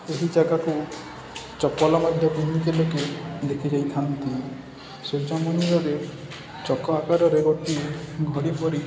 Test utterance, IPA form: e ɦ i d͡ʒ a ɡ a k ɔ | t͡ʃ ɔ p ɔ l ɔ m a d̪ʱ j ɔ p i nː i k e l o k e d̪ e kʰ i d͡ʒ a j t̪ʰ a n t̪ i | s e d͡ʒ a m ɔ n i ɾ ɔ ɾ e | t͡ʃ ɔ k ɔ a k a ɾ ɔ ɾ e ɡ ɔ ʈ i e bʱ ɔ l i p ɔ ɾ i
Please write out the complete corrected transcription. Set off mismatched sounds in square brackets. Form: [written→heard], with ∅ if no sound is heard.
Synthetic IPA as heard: e ɦ i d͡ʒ a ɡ a k [ɔ→u] | t͡ʃ ɔ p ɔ l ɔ m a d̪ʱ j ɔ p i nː i k e l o k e d̪ e kʰ i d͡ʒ a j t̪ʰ a n t̪ i | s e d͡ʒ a m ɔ n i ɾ ɔ ɾ e | t͡ʃ ɔ k ɔ a k a ɾ ɔ ɾ e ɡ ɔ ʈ i e [bʱ→ɡʱ] ɔ [l→ɽ] i p ɔ ɾ i